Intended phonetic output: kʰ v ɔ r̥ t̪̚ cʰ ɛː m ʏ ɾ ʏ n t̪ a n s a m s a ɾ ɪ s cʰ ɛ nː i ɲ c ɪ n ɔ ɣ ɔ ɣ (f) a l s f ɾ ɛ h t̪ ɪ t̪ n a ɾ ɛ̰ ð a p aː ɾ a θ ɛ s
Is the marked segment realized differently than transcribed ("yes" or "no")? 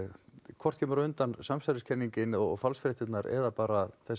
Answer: no